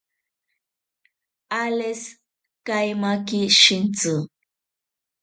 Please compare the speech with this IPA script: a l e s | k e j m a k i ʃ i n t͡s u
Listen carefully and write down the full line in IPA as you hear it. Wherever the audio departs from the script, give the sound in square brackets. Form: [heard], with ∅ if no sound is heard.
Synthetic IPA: a l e s | k [a] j m a k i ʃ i n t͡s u